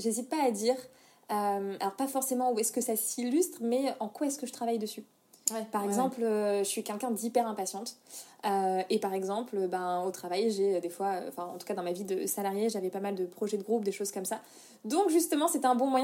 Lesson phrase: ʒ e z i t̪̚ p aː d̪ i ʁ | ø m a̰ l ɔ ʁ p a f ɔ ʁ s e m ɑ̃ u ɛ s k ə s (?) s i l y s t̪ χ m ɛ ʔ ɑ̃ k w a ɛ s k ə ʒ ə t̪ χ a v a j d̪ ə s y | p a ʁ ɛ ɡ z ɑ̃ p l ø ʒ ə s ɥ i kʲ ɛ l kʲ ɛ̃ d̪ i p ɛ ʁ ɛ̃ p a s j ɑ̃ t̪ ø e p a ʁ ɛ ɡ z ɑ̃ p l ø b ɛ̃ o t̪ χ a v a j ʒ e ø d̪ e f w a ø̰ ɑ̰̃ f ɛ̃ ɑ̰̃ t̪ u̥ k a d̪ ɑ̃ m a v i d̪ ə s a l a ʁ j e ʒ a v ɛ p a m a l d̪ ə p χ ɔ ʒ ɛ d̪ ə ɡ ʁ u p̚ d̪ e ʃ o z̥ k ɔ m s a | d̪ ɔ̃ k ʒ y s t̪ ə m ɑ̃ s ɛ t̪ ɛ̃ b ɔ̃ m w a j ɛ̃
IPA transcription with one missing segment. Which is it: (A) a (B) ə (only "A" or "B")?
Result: A